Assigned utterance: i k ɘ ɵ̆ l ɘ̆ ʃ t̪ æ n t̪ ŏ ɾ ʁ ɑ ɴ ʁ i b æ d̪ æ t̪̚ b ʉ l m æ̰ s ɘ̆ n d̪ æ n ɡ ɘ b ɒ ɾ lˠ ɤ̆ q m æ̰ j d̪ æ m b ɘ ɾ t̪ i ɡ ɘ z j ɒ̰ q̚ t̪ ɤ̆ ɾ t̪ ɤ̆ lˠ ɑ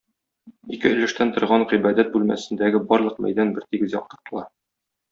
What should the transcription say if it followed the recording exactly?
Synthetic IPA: i k ɘ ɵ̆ l ɘ̆ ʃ t̪ æ n t̪ ŏ ɾ ʁ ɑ ɴ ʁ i b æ d̪ æ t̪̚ b ʉ l m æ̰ s ɘ̆ n d̪ æ ɡ ɘ b ɒ ɾ lˠ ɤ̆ q m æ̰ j d̪ æ n b ɘ ɾ t̪ i ɡ ɘ z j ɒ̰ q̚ t̪ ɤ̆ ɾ t̪ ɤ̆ lˠ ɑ